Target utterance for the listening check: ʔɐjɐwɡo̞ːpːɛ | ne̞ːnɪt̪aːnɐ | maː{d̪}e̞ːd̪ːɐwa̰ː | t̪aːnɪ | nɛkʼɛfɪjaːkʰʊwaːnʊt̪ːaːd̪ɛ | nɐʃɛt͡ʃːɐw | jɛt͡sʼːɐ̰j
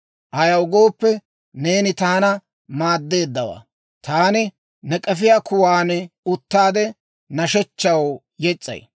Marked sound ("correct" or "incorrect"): incorrect